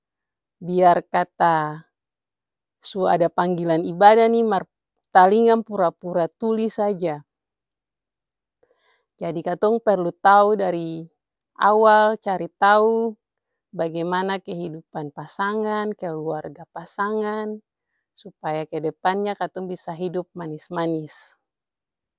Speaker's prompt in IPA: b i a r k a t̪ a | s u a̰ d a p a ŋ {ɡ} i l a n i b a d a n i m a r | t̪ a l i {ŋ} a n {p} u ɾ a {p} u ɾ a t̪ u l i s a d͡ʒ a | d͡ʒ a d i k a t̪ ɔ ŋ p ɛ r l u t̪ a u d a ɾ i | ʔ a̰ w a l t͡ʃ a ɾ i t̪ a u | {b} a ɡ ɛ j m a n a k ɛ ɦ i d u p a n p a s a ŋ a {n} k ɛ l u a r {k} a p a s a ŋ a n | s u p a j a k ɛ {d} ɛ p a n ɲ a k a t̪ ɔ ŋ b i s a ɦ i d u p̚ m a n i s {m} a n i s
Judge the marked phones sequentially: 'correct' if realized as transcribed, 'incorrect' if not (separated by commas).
correct, correct, correct, correct, correct, correct, incorrect, correct, correct